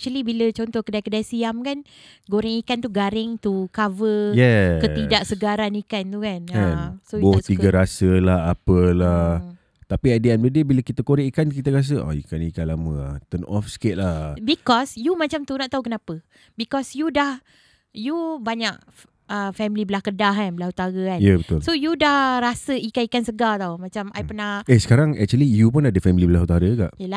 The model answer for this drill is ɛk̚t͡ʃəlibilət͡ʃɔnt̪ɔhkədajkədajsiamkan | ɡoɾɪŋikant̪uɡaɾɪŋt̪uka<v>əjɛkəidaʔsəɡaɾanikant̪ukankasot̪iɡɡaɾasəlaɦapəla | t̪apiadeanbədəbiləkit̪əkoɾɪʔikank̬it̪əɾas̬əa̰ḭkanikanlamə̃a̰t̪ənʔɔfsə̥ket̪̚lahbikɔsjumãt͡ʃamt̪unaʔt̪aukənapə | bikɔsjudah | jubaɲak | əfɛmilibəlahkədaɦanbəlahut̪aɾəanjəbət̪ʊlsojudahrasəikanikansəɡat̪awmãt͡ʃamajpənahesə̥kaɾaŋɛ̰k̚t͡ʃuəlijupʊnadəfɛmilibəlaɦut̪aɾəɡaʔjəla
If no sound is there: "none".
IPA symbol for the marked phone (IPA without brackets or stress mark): v